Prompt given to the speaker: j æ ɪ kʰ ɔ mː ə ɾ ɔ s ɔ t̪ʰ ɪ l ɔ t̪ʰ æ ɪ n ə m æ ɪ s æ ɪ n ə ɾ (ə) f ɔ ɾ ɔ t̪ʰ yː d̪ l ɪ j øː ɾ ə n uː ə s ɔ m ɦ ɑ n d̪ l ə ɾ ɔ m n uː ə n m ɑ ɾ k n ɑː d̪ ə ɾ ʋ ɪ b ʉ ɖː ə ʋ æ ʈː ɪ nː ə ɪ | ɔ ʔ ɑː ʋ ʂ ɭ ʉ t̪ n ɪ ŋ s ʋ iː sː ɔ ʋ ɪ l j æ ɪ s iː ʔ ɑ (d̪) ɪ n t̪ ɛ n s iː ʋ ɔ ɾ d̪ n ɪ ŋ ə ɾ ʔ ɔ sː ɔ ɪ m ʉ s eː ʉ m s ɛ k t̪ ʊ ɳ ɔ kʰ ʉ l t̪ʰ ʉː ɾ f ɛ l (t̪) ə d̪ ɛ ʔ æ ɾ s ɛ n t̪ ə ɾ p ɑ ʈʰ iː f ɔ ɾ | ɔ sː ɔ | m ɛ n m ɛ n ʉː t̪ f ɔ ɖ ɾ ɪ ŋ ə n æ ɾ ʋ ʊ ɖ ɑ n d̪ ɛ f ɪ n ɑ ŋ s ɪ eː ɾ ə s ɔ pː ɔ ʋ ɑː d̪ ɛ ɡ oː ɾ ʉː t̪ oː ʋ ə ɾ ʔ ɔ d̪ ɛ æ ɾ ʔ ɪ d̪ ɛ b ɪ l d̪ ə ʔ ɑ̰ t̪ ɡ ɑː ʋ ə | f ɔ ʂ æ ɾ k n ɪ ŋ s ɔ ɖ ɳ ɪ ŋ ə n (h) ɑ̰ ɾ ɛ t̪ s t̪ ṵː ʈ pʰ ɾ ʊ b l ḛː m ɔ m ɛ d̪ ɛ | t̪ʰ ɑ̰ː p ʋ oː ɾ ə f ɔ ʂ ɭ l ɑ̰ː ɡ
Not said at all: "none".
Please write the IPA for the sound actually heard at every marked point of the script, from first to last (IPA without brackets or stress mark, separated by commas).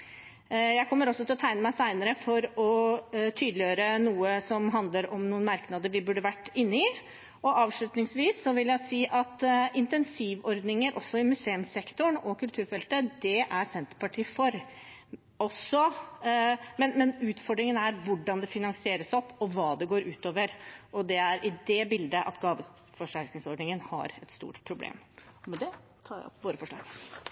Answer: ə, t̪, t̪, h